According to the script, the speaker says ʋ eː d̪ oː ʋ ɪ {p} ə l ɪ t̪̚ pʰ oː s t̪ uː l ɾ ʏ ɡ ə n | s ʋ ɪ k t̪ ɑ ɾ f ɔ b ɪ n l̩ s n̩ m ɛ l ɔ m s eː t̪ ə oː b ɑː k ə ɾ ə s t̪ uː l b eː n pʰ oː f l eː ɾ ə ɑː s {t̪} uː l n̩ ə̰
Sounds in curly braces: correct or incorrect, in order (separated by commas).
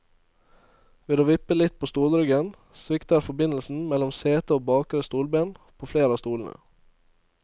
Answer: correct, correct